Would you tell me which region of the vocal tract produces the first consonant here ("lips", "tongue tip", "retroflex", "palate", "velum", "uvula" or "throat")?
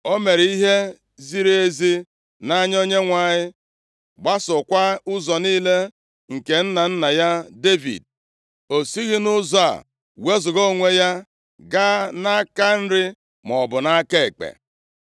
lips